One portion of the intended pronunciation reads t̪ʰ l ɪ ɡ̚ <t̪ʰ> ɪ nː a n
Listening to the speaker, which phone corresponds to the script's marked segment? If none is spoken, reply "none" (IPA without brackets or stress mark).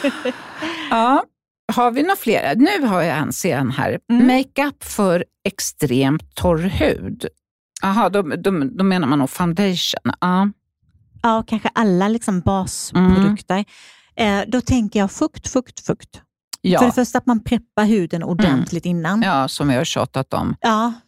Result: t̪